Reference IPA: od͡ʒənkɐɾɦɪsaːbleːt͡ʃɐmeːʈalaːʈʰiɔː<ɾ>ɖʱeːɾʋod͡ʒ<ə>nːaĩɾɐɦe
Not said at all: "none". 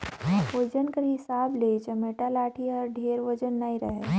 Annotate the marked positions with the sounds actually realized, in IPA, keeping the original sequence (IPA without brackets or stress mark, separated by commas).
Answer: ɾ, ə